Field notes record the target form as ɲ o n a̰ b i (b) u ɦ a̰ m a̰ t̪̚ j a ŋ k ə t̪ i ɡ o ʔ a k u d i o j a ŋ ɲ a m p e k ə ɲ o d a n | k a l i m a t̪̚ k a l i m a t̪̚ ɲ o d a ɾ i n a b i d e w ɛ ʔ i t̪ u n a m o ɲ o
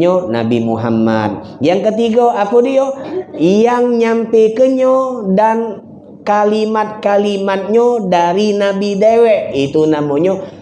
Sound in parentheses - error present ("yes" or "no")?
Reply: yes